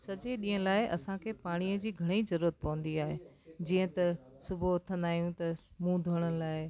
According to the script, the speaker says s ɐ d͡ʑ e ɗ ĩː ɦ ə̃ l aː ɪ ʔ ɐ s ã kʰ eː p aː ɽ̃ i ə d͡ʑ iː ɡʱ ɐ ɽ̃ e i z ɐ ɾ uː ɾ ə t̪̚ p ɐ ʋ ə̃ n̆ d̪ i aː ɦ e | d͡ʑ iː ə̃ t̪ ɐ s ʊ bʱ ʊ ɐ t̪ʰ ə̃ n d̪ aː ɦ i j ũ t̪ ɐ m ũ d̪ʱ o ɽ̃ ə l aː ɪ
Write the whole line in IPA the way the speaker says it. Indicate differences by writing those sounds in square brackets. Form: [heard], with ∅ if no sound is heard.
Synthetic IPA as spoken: s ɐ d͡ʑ e ɗ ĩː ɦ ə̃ l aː ɪ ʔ ɐ s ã kʰ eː p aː ɽ̃ i ə d͡ʑ iː ɡʱ ɐ ɽ̃ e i z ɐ ɾ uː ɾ ə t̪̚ p ɐ ʋ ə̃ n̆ d̪ i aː ɦ e | d͡ʑ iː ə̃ t̪ ɐ s ʊ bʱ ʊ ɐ t̪ʰ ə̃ n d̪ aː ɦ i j ũ t̪ ɐ m ũ d̪ʱ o ɽ̃ ə l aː ɪ